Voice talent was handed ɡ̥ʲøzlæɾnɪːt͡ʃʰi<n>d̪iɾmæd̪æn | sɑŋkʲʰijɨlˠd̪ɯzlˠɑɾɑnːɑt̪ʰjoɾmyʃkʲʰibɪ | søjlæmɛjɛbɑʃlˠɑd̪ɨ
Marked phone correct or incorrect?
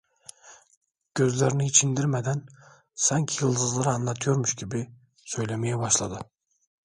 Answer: correct